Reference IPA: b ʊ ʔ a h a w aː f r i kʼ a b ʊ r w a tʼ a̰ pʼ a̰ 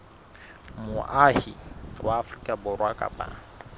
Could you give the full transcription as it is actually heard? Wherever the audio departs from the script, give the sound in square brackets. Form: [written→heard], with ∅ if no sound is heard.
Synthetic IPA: [b→m] ʊ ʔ a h [a→i] w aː f r i kʼ a b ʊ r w a [tʼ→kʼ] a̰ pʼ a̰